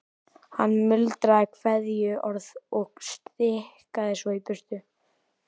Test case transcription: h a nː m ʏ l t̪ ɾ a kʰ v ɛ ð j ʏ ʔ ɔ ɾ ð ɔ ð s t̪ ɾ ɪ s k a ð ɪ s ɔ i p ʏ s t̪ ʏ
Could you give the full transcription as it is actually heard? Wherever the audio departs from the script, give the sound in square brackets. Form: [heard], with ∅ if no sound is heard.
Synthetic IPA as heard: h a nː m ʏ l t̪ ɾ a kʰ v ɛ ð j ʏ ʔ ɔ ɾ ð ɔ [ɣ] s t̪ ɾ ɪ [h] k a ð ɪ s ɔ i p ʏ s t̪ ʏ